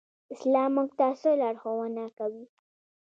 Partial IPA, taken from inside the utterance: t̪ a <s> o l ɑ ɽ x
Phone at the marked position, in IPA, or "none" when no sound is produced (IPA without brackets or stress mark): s